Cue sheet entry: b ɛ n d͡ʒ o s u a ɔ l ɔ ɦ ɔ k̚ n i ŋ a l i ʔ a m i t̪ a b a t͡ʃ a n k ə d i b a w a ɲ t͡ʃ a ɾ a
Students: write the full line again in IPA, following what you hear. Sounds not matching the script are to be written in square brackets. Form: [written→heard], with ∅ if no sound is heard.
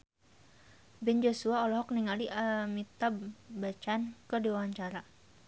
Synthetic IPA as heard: b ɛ n d͡ʒ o s u a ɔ l ɔ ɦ ɔ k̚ n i ŋ a l i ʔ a m i t̪ a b a t͡ʃ a n k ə d i [b→w] a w a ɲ t͡ʃ a ɾ a